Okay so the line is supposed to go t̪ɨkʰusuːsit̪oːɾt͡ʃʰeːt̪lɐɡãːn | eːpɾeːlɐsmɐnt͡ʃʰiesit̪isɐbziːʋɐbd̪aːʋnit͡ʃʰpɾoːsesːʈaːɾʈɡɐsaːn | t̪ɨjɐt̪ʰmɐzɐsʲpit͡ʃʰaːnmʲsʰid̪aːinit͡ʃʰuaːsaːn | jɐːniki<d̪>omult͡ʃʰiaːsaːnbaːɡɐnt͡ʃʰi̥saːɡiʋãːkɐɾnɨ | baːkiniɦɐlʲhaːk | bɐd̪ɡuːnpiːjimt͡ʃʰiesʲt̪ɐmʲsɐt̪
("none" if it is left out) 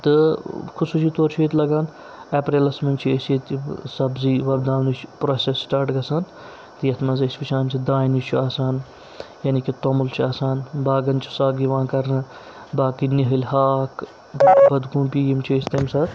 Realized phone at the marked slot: t̪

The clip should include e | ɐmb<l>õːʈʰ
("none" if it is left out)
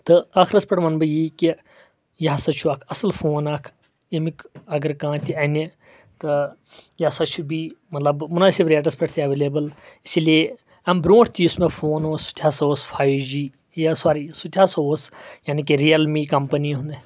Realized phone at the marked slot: ɾ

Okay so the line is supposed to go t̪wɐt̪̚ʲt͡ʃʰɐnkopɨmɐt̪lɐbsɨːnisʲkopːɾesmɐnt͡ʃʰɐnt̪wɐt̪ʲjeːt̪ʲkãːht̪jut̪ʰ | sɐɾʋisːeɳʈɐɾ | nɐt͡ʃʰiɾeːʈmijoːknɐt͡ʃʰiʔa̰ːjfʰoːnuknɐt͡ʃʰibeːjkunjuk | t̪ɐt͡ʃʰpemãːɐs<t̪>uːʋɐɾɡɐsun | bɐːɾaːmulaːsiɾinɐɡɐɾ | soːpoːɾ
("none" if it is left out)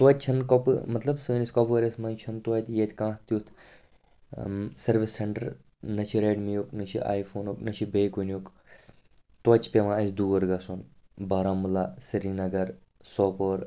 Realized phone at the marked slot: d̪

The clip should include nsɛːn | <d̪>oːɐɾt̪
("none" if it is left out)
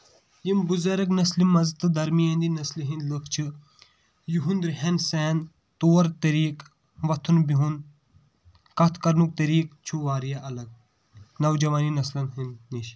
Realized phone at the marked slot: t̪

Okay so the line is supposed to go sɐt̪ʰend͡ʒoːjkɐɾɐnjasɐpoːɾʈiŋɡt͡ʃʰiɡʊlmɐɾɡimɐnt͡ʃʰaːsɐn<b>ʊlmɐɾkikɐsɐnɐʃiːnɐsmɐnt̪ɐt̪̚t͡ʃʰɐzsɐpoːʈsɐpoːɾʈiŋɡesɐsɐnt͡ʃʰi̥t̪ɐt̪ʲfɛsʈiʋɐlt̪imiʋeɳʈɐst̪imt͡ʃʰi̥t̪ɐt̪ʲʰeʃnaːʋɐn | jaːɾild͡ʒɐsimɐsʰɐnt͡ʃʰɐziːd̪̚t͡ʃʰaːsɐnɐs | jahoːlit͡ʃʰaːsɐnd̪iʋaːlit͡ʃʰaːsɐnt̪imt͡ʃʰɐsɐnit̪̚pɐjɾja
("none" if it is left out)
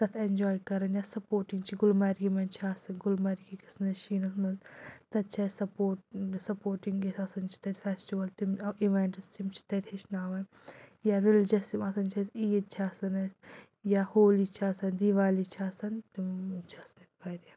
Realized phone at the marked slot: ɡ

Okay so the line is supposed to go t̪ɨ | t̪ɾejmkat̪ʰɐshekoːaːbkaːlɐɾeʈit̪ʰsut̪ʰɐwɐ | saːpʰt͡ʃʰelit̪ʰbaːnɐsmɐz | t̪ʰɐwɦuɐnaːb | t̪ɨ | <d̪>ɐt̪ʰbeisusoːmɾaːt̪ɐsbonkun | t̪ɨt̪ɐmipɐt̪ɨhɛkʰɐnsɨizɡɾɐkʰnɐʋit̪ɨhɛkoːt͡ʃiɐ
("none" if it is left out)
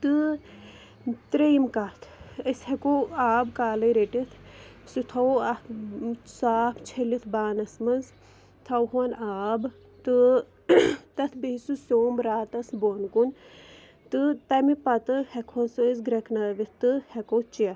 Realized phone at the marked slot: t̪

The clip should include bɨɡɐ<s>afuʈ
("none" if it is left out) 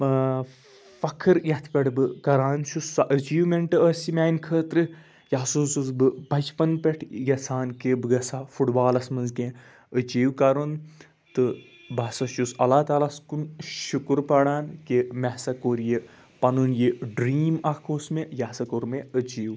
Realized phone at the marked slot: s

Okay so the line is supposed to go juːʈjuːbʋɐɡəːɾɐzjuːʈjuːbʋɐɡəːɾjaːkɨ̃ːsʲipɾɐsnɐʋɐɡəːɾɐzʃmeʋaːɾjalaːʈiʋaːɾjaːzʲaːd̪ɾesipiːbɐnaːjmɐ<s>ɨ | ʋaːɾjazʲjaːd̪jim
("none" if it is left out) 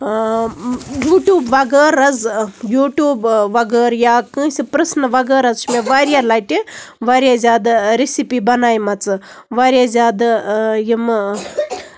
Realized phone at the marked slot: t͡s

